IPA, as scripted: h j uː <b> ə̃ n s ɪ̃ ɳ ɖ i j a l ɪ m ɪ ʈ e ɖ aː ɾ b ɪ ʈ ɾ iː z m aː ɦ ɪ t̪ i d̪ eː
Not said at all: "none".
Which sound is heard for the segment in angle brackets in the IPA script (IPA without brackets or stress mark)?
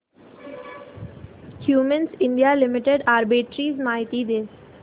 m